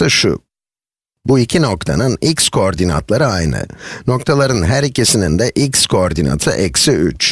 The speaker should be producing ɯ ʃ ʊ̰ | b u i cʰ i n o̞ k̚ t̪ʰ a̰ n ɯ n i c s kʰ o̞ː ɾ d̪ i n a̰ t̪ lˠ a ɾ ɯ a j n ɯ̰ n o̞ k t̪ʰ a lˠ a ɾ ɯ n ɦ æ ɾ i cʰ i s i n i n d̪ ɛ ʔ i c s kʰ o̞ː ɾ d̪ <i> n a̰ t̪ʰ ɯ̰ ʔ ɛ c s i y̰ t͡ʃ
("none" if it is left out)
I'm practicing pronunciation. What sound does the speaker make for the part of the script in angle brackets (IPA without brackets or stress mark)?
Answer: i